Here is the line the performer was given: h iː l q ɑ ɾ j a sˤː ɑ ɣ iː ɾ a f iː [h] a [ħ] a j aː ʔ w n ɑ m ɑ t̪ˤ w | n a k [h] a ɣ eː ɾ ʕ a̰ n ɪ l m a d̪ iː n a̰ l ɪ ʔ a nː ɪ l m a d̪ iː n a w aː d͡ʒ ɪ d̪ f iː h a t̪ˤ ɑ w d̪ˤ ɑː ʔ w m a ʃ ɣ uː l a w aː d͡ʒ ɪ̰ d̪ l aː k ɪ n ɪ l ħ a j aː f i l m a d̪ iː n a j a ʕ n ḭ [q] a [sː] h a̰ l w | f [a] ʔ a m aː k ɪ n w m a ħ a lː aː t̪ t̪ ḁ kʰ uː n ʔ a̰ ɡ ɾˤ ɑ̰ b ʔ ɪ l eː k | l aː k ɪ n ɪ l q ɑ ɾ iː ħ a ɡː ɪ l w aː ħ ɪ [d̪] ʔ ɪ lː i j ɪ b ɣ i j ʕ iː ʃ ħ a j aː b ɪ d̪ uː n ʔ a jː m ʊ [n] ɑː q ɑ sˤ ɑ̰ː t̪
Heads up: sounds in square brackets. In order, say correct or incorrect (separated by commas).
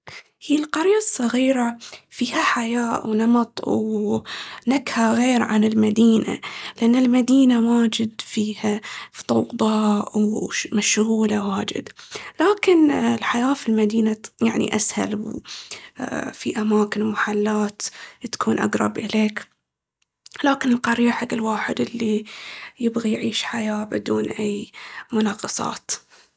correct, correct, correct, incorrect, incorrect, incorrect, correct, correct